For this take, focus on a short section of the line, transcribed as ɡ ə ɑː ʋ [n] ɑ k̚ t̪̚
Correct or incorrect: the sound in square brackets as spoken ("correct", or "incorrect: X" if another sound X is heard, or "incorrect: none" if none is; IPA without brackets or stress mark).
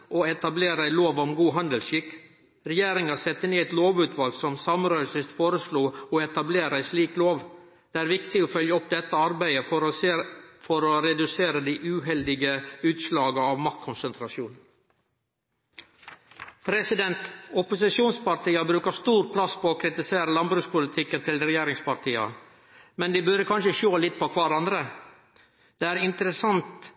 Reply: incorrect: m